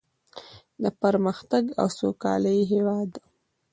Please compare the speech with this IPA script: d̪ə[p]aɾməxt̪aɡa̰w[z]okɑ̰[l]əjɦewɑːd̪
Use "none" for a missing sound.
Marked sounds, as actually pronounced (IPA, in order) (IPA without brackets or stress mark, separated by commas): p, s, l